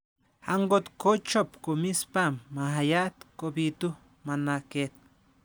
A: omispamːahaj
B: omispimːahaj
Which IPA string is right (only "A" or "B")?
A